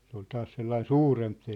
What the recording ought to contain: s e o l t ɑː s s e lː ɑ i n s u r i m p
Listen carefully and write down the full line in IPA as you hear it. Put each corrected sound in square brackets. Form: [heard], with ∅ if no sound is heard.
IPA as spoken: s e o l t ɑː s s e lː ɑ i n s [uː] r [e] m p